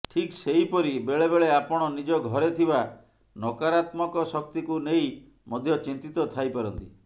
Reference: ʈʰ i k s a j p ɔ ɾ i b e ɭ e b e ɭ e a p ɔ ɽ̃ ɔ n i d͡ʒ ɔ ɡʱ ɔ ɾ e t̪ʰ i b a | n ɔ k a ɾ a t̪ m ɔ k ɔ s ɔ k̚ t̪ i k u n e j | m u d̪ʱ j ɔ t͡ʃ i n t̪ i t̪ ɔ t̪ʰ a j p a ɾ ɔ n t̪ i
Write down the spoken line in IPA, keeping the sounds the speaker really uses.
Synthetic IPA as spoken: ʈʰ i k s e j p ɔ ɾ i b e ɭ e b e ɭ e a p ɔ ɽ̃ ɔ n i d͡ʒ ɔ ɡʱ ɔ ɾ e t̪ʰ i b a | n ɔ k a ɾ a t̪ m ɔ k ɔ s ɔ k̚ t̪ i k u n e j | m ɔ d̪ʱ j ɔ t͡ʃ i n t̪ i t̪ ɔ t̪ʰ a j p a ɾ ɔ n t̪ i